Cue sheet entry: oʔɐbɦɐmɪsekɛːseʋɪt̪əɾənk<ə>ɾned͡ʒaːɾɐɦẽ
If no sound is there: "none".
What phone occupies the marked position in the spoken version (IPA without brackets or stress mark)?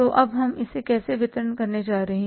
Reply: ɐ